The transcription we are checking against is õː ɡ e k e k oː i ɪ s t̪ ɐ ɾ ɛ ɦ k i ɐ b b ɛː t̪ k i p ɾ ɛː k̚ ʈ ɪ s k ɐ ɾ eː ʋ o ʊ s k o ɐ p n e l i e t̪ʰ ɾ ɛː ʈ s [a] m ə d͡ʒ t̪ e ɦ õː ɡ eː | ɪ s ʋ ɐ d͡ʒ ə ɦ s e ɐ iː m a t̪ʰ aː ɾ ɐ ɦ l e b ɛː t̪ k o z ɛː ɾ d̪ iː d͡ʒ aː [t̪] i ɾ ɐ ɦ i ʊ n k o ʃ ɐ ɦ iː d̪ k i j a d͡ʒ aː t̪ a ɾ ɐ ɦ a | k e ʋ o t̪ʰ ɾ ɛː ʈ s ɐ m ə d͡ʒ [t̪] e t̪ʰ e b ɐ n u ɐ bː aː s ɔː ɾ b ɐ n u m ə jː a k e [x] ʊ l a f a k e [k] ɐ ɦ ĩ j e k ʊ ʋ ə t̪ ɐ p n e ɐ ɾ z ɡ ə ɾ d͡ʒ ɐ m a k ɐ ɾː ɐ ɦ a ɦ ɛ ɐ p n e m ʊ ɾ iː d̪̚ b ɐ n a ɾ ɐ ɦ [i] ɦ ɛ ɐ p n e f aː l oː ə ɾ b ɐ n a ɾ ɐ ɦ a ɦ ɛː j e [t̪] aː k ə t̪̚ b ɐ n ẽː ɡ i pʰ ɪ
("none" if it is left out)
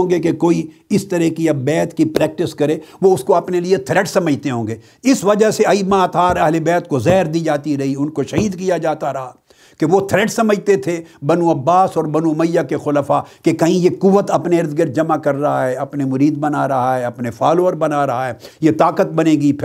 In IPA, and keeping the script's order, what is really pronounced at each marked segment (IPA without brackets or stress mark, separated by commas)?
ɐ, t̪, t̪, x, k, a, t̪